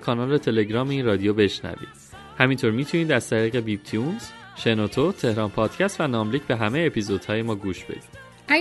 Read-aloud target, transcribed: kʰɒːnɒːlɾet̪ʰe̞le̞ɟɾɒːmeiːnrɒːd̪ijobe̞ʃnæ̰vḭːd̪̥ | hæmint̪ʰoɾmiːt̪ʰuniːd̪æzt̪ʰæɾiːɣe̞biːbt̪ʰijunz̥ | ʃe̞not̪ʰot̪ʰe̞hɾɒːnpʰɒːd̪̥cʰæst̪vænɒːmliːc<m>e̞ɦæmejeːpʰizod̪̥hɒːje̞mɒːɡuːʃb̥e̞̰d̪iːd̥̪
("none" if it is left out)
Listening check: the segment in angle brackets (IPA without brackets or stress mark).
b